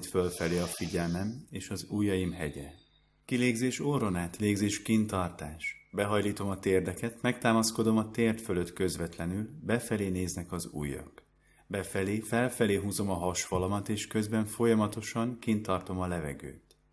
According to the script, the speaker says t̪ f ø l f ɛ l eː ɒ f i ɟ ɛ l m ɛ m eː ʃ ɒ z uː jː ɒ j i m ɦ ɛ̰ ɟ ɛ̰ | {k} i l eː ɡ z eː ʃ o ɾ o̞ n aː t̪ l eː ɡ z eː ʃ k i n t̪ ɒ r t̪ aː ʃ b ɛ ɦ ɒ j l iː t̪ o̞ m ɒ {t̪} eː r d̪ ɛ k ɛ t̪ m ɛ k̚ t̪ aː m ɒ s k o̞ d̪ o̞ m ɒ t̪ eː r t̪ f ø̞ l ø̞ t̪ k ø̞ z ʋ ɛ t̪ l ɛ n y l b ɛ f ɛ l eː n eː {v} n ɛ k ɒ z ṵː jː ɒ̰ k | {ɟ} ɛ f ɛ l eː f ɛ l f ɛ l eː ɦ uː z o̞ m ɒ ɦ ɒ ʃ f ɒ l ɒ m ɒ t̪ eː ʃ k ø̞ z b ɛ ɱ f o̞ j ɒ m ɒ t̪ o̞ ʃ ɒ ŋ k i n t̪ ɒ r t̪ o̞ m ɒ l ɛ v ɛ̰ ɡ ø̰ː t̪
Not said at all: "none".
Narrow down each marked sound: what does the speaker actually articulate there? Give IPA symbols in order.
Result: k, t̪, z, b

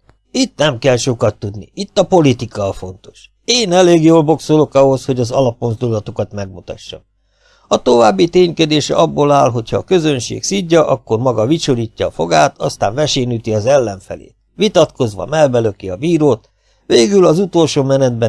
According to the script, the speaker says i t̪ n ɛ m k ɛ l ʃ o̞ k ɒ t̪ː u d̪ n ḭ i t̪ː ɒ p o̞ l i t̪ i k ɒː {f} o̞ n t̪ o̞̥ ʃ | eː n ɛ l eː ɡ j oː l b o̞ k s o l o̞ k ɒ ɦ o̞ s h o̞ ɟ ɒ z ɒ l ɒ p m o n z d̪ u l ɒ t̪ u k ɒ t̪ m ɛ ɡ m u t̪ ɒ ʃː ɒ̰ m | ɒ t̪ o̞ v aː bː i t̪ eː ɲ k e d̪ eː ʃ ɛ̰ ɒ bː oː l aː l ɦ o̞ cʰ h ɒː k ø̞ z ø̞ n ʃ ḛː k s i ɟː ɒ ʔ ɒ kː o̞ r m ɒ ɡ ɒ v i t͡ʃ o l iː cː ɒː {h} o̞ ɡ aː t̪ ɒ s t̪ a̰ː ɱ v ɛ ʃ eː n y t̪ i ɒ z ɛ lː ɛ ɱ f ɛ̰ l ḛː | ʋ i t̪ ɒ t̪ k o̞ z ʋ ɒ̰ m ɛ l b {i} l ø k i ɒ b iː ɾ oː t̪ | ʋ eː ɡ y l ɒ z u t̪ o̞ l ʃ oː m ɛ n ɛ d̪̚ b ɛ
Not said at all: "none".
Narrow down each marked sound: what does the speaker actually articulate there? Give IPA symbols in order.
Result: f, f, ɛ

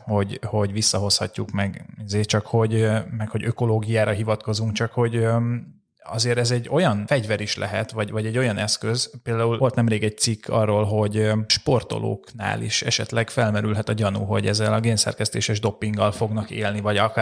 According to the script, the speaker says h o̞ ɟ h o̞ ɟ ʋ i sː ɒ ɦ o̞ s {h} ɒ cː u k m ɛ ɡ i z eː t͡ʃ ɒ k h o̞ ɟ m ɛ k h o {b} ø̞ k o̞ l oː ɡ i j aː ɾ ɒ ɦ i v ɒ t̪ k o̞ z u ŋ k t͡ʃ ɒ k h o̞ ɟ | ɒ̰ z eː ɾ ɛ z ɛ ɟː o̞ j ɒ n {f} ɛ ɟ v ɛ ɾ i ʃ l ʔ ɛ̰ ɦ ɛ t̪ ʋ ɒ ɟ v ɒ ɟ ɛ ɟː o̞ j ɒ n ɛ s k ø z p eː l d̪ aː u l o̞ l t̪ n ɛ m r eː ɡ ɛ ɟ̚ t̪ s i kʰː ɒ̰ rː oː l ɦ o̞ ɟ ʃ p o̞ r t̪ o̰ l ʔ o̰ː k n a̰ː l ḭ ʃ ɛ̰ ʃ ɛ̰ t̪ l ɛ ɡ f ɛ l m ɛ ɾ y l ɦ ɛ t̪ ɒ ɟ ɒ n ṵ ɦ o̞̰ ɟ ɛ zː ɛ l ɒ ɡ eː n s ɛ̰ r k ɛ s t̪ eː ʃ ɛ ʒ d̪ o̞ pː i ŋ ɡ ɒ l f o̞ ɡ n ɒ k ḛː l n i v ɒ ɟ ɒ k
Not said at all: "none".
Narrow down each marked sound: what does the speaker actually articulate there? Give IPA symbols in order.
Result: h, ɟ, f

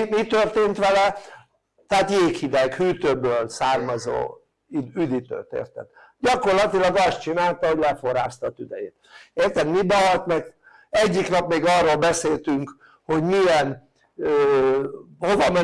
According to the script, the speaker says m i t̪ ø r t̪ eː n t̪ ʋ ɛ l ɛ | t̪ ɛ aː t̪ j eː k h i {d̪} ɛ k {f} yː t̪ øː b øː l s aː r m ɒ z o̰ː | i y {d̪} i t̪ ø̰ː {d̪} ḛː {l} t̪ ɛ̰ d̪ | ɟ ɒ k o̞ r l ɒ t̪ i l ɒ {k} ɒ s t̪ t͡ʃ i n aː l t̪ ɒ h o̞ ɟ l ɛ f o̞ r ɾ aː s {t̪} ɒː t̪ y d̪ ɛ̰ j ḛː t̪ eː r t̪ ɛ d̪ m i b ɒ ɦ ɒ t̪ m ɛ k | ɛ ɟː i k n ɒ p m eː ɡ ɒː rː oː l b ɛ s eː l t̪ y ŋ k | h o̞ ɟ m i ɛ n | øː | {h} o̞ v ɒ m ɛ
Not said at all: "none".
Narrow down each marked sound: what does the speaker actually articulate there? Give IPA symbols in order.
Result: d̪, h, d̪, t̪, r, ɡ, t̪, h

